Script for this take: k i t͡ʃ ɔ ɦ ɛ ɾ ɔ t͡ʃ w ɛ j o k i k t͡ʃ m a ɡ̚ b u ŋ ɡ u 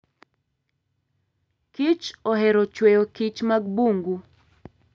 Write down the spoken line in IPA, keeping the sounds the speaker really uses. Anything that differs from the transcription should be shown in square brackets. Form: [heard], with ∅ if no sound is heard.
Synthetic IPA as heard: k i t͡ʃ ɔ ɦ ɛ ɾ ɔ t͡ʃ w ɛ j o k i [∅] t͡ʃ m a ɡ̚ b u ŋ ɡ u